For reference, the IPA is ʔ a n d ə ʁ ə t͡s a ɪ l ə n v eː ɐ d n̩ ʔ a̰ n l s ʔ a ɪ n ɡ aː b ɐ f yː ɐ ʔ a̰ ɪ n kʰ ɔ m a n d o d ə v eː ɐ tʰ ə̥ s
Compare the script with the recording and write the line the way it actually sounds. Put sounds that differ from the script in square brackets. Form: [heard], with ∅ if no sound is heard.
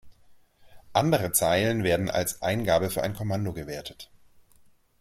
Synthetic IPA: ʔ a n d ə ʁ ə t͡s a ɪ l ə n v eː ɐ d n̩ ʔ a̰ [∅] l s ʔ a ɪ n ɡ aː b [ə] f yː ɐ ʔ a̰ ɪ n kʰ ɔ m a n d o [ɡ] ə v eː ɐ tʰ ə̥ [t]